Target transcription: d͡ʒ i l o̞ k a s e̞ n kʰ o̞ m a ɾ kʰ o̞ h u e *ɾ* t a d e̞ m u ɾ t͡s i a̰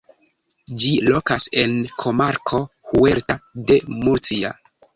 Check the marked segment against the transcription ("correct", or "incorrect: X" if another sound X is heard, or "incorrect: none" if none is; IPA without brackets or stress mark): correct